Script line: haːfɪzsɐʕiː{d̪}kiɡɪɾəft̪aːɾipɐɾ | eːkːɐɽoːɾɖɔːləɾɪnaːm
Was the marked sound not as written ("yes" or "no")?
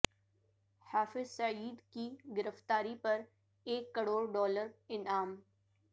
no